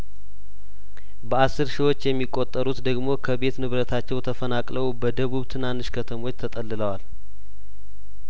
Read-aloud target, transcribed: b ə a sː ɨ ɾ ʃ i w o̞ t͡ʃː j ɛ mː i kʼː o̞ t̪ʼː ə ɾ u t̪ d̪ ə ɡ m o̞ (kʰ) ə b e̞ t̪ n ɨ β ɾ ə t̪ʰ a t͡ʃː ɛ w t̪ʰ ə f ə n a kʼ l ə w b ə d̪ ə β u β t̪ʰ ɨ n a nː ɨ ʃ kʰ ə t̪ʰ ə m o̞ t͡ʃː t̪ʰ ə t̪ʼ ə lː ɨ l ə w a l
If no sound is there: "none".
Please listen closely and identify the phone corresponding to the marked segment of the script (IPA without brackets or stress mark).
kʰ